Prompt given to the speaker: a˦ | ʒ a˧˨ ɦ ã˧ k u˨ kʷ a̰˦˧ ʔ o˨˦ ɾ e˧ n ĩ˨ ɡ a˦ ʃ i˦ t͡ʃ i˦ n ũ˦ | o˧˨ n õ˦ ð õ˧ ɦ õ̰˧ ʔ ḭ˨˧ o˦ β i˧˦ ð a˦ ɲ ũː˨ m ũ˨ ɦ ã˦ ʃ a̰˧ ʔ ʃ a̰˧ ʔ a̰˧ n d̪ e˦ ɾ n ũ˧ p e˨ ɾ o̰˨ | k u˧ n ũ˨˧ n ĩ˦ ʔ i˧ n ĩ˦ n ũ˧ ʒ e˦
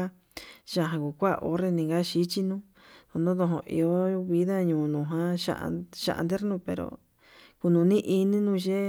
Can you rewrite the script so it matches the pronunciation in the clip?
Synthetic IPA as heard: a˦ | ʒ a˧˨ ɦ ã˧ k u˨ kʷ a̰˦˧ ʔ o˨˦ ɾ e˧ n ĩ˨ ɡ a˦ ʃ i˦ t͡ʃ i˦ n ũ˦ | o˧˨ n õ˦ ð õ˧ ɦ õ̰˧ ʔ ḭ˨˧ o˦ β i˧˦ ð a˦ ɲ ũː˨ n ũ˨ ɦ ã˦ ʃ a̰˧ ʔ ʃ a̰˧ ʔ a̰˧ n d̪ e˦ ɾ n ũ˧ p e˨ ɾ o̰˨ | k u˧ n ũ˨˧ n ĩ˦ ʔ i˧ n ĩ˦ n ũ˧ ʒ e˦